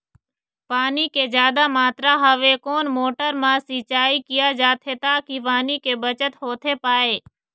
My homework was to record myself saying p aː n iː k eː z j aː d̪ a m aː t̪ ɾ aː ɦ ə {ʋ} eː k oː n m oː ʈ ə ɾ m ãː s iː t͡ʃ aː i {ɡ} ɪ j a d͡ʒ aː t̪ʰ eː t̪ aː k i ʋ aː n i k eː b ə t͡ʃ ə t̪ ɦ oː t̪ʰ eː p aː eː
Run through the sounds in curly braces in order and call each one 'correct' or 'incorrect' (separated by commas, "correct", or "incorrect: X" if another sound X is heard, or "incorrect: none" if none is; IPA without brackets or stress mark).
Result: correct, incorrect: k